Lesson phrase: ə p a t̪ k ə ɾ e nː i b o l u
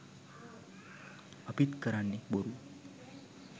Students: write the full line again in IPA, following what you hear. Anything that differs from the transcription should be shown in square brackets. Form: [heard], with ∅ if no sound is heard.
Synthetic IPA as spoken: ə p [i] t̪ k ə ɾ [a] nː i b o [ɾ] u